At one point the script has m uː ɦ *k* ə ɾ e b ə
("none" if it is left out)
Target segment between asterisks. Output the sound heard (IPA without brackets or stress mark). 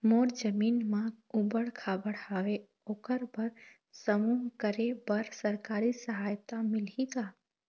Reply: k